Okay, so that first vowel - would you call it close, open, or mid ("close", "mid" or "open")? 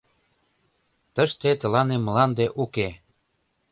mid